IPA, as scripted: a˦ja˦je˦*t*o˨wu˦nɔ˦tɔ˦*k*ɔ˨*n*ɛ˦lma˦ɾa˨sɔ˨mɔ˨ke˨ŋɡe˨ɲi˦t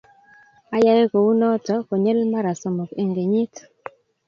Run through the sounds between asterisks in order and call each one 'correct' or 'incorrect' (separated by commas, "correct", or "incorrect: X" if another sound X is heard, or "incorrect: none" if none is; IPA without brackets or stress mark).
incorrect: k, correct, incorrect: ɲ